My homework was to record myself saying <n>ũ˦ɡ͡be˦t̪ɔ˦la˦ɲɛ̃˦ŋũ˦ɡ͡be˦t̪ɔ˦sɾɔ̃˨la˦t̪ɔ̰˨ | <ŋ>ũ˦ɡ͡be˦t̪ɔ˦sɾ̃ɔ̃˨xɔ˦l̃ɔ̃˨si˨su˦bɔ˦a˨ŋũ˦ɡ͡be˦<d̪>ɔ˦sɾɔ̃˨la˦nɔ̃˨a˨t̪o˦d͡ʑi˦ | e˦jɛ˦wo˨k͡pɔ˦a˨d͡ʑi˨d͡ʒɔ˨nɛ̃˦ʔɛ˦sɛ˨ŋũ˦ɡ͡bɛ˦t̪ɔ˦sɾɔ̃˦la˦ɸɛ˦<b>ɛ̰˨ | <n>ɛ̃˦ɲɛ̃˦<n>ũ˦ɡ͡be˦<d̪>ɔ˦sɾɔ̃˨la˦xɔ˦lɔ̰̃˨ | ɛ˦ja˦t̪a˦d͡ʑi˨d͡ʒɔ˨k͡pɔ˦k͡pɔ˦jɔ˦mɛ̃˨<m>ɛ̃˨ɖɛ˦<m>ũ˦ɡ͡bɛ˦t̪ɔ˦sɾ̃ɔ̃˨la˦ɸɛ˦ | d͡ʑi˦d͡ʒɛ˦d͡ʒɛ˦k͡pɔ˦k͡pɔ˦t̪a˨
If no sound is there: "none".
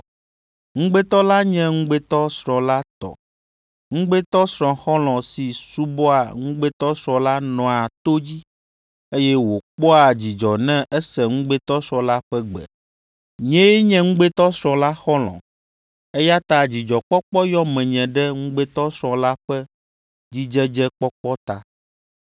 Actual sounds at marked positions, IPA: ŋ, ŋ, t̪, ɡ͡b, ɲ, ŋ, t̪, ɲ, ŋ

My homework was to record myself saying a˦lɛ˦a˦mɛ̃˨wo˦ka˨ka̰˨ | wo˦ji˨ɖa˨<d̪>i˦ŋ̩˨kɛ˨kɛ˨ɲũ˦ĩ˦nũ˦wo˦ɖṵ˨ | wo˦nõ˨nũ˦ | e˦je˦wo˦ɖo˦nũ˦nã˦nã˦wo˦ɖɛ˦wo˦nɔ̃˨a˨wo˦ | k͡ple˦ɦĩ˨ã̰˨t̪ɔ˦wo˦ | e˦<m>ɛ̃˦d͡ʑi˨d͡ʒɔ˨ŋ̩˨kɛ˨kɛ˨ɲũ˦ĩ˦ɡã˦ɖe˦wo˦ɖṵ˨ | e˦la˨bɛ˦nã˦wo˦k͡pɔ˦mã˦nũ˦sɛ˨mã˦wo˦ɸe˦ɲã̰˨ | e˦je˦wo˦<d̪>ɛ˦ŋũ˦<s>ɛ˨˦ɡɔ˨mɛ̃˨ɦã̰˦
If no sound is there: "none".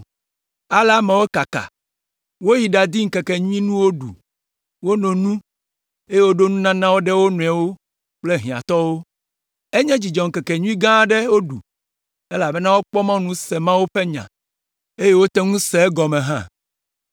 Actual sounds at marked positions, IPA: d̪, ɲ, t̪, s

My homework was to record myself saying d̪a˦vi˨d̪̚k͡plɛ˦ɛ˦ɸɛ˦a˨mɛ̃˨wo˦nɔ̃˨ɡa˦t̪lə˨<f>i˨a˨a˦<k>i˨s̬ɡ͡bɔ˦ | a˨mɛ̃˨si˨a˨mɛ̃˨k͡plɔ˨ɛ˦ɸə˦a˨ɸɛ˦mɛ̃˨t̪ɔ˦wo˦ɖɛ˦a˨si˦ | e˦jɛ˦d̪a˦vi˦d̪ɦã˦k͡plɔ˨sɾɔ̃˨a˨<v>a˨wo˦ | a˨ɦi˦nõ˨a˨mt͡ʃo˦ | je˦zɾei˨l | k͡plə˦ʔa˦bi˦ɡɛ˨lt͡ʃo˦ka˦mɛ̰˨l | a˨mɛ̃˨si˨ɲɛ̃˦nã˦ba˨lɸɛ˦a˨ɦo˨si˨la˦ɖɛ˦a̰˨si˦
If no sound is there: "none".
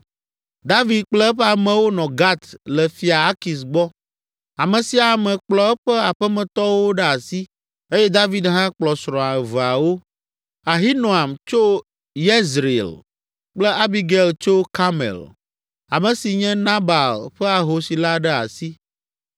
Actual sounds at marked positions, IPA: f, k, v

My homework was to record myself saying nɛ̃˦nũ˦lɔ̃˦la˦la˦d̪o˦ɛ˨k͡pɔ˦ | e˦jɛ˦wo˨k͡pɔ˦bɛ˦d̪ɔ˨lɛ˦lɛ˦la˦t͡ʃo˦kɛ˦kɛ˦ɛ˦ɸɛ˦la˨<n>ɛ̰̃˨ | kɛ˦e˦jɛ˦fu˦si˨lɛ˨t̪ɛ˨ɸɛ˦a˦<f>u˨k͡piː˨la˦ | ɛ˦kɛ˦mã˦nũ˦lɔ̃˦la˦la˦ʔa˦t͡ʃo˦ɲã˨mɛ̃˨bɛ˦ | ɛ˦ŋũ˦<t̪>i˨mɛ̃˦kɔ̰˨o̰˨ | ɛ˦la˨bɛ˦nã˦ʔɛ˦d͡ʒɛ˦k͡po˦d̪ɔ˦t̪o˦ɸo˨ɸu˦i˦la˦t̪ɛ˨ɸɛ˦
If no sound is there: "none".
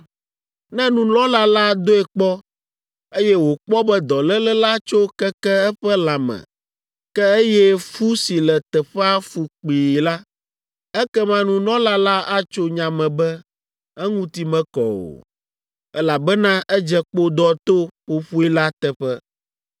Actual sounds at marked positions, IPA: m, f, t̪

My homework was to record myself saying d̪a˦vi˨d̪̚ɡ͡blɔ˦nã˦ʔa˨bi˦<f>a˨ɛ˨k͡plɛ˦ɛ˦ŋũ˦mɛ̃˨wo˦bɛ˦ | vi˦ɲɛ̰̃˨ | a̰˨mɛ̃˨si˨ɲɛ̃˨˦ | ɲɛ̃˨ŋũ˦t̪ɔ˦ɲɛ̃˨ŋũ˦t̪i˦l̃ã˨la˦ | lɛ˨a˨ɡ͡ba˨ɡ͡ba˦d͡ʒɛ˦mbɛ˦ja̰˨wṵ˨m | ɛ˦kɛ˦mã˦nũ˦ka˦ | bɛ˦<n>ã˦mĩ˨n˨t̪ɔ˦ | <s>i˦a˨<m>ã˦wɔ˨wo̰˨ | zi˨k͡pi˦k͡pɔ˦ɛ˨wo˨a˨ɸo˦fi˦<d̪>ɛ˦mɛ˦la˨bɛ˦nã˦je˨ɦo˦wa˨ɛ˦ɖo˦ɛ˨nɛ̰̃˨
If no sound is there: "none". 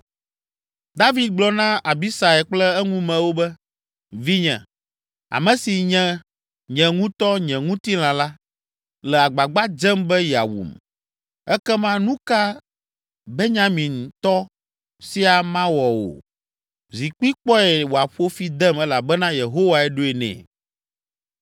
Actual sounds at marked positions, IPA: s, ɲ, s, m, d̪

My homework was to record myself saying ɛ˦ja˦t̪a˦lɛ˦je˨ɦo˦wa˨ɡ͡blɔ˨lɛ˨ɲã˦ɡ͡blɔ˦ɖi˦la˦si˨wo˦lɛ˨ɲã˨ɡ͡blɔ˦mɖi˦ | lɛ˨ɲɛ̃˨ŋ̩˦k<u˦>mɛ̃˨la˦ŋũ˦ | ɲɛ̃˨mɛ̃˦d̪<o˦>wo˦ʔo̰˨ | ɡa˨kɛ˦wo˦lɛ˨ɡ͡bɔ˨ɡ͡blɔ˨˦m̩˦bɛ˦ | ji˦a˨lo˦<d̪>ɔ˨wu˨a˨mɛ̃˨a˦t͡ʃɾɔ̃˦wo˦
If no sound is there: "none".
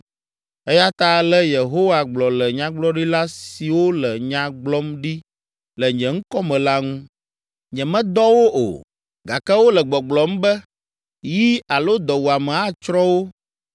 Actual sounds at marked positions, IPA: ɔ˦, ɔ˦, d̪

